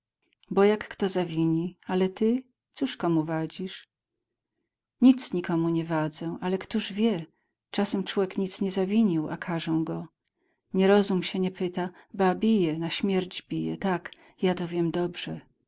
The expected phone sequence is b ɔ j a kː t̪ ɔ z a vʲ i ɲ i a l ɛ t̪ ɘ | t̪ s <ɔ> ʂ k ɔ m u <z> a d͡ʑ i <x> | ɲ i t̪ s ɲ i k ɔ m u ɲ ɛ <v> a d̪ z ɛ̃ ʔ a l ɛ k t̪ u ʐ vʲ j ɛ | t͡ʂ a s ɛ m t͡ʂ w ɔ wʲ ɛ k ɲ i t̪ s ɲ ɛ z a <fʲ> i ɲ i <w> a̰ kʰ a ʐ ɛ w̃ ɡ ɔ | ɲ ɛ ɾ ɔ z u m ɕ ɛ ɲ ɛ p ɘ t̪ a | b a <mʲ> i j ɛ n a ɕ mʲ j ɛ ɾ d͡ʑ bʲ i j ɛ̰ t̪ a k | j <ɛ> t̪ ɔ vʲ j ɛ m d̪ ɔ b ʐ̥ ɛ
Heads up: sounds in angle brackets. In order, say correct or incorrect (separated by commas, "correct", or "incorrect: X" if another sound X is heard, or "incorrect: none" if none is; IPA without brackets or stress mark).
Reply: incorrect: u, incorrect: v, incorrect: ʂ, correct, incorrect: vʲ, correct, incorrect: bʲ, incorrect: a